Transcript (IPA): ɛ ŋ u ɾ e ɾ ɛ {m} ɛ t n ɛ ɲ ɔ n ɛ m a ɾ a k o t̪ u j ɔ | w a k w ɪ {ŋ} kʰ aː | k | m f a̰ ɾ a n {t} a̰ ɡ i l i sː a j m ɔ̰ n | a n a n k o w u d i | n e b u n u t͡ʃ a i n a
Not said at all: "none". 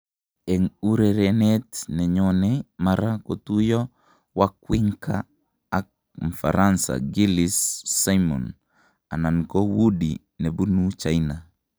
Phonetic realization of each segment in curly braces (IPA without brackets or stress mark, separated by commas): n, ŋ, s